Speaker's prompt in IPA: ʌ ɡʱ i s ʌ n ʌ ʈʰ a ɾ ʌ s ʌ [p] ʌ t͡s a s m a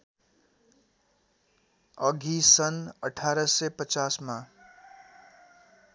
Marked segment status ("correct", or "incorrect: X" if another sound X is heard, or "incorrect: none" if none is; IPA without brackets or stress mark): correct